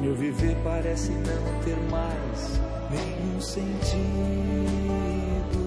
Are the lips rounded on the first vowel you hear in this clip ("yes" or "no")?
no